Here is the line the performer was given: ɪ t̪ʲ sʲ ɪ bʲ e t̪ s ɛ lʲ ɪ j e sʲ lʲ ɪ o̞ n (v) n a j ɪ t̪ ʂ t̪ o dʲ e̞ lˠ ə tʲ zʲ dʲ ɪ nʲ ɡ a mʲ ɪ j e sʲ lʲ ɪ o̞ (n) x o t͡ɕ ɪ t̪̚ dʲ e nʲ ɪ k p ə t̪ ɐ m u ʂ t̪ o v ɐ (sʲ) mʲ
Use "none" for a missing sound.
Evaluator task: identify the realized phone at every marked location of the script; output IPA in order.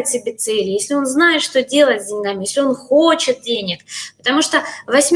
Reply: z, n, sʲ

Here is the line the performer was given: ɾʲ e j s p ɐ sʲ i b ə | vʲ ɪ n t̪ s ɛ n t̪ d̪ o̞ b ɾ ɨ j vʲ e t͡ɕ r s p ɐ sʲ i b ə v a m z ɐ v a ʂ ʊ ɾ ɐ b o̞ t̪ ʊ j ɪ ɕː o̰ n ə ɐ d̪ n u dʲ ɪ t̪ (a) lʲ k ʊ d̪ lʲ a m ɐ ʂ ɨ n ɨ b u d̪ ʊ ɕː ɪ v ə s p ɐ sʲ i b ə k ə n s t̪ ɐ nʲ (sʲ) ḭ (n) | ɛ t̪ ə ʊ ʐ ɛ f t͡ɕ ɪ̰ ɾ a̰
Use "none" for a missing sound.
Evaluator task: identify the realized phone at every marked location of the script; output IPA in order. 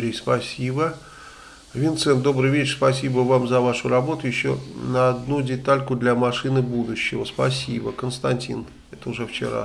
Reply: a, tʲ, n

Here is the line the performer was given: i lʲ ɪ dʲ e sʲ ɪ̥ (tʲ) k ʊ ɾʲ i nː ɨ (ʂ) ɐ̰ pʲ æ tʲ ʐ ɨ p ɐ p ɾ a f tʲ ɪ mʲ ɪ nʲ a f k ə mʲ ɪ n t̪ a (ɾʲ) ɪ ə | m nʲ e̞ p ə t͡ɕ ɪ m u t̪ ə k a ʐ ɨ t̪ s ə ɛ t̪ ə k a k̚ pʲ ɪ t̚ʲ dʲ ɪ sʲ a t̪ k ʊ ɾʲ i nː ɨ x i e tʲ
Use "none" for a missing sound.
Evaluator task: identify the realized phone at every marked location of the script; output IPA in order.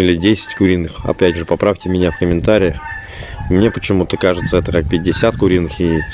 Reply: tʲ, x, ɾʲ

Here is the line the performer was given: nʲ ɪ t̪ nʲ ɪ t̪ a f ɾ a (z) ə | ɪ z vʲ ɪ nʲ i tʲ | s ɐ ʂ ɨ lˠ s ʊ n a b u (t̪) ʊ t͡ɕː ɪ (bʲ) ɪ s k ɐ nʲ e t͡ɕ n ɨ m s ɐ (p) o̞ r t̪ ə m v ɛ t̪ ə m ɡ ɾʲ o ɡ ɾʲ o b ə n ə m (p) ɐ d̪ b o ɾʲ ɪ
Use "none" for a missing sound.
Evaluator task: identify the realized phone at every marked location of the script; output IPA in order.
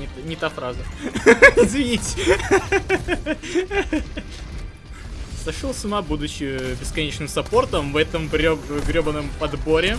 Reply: z, d̪, bʲ, p, p

